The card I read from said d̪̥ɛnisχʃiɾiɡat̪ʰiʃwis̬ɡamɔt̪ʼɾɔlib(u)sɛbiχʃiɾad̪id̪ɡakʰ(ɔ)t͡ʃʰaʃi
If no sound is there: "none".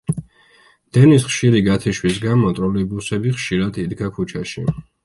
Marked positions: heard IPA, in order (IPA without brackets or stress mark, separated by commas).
u, u